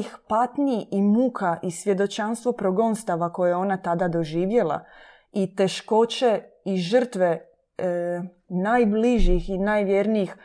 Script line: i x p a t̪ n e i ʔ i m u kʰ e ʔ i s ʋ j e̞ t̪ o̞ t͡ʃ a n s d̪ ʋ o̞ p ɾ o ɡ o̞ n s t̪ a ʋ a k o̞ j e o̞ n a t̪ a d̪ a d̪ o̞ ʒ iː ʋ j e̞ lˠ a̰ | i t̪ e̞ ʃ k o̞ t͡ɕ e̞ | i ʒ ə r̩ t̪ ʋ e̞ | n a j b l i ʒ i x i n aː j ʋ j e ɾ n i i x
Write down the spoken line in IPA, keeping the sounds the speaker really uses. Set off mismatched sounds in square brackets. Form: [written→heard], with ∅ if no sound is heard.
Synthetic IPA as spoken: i x p a t̪ n [e→i] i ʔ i m u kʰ [e→a] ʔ i s ʋ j e̞ [t̪→d̪] o̞ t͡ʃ a n s [d̪→t̪] ʋ o̞ p ɾ o ɡ o̞ n s t̪ a ʋ a k o̞ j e o̞ n a t̪ a d̪ a d̪ o̞ ʒ iː ʋ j e̞ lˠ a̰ | i t̪ e̞ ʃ k o̞ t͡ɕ e̞ | i ʒ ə r̩ t̪ ʋ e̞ | n a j b l i ʒ i x i n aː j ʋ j e ɾ n i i x